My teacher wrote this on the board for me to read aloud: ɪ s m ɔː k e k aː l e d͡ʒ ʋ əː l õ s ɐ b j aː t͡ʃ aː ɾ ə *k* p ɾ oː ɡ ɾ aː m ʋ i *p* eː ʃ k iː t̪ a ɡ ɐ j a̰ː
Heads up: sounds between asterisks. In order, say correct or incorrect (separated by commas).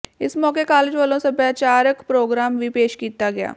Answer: correct, correct